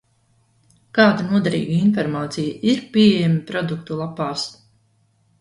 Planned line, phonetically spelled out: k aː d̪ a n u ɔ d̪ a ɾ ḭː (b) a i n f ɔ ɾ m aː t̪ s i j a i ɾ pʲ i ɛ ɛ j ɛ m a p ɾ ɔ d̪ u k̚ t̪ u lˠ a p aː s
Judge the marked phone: incorrect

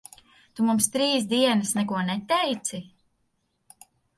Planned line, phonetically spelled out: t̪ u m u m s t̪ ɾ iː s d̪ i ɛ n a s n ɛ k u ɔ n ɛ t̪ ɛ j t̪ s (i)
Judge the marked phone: correct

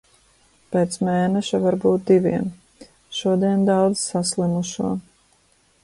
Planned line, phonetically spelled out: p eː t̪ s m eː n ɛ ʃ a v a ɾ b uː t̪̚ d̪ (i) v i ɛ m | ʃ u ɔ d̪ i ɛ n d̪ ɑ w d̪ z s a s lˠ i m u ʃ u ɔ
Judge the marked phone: correct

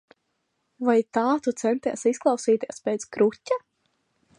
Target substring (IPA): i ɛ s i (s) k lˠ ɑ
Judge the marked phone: correct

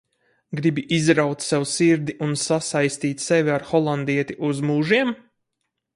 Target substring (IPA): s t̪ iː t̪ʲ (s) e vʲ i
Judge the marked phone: correct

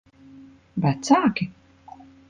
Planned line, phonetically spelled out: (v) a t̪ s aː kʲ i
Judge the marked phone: incorrect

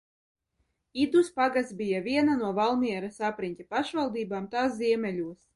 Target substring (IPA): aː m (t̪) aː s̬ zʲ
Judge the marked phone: correct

